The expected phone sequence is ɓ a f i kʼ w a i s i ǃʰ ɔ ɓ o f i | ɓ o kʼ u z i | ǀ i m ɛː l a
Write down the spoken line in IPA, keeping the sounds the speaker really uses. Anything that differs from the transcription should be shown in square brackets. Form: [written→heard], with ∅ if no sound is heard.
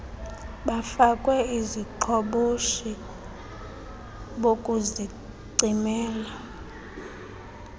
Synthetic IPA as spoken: ɓ a f [i→a] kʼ w [a→ɛ] i [s→z] i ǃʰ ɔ ɓ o [f→ʃ] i | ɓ o kʼ u z i | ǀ i m ɛː l a